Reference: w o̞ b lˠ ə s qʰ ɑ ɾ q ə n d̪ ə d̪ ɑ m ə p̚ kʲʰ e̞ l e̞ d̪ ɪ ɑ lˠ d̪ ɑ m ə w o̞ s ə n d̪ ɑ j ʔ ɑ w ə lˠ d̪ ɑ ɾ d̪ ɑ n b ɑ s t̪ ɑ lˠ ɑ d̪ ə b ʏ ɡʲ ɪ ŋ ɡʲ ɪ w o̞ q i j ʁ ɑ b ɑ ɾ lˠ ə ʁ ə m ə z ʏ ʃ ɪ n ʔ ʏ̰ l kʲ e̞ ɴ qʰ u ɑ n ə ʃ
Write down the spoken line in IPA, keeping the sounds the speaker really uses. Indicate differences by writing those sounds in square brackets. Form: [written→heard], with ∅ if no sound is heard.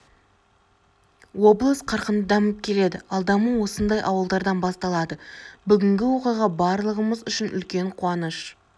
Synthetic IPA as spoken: w o̞ b lˠ ə s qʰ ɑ ɾ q ə n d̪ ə d̪ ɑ m ə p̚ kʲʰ e̞ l e̞ d̪ ɪ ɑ lˠ d̪ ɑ m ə w o̞ s ə n d̪ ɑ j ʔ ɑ w ə lˠ d̪ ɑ ɾ d̪ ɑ n b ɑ s t̪ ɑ lˠ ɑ d̪ ə b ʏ ɡʲ ɪ ŋ ɡʲ ɪ w o̞ q i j ʁ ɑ b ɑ ɾ lˠ ə ʁ ə m ə z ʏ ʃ ɪ n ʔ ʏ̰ l kʲ e̞ ɴ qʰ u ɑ n ə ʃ